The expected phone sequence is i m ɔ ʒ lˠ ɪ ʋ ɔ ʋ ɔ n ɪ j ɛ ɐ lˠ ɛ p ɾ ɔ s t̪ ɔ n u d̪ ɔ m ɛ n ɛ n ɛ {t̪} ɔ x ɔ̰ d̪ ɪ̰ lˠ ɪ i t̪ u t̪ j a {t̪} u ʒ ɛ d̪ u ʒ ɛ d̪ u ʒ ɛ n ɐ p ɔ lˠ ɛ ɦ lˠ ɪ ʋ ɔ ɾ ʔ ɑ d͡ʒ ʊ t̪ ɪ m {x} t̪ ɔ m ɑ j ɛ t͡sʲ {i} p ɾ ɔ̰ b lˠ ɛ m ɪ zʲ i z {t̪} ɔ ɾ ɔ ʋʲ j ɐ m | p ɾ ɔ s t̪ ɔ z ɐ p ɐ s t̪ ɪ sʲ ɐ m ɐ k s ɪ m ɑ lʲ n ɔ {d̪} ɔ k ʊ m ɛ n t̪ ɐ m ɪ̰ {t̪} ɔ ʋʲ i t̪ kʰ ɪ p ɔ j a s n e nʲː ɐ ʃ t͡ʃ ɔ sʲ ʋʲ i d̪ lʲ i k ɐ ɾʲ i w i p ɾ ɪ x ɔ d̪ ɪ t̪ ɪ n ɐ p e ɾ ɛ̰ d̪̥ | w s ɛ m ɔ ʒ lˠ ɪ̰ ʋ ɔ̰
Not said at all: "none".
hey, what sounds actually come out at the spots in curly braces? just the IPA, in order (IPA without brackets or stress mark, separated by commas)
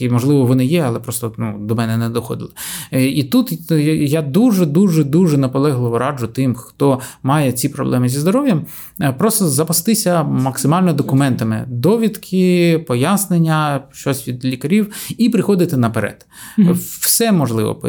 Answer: d̪, d̪, x, i, d̪, d̪, d̪